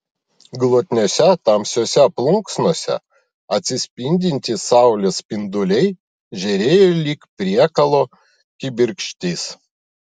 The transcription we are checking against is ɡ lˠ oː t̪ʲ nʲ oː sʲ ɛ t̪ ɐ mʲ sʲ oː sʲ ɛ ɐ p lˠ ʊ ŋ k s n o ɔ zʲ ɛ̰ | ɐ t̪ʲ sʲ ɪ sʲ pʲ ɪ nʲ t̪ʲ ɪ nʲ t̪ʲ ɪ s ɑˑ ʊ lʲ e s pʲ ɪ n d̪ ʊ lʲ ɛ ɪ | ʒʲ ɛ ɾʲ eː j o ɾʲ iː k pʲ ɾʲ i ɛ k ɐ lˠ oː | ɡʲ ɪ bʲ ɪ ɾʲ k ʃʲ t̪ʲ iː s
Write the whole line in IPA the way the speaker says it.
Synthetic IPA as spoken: ɡ lˠ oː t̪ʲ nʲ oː sʲ ɛ t̪ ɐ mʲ sʲ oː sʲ ɛ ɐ p lˠ ʊ ŋ k s n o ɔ sʲ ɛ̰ | ɐ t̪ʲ sʲ ɪ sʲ pʲ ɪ nʲ d̪ʲ ɪ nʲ t̪ʲ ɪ s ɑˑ ʊ lʲ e s pʲ ɪ n d̪ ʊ lʲ ɛ ɪ | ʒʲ ɛ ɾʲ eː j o lʲ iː k pʲ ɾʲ i ɛ k ɐ lˠ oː | kʲ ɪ bʲ ɪ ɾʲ k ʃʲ t̪ʲ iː s